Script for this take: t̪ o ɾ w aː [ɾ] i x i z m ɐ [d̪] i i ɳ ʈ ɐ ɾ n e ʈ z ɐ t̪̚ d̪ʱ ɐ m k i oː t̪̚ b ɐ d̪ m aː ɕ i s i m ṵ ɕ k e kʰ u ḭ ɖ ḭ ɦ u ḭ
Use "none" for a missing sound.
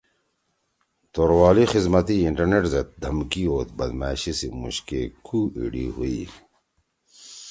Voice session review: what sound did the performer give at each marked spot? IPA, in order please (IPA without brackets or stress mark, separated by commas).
l, t̪